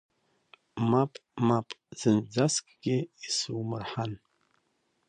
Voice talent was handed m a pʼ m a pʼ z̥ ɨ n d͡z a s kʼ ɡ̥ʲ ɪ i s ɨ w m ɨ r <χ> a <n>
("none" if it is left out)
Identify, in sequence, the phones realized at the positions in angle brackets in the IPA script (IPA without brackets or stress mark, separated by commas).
ħ, n